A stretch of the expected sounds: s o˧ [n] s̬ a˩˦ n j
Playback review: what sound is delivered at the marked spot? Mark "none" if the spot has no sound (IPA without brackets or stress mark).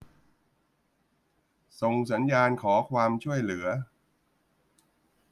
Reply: ŋ